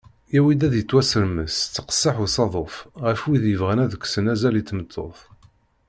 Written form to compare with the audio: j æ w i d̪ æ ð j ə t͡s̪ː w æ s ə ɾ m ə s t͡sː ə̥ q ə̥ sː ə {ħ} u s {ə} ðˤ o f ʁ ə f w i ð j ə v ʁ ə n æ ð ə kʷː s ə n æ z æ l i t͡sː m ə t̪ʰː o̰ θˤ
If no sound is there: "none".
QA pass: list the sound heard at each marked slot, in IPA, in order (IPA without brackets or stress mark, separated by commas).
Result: ħ, ɑ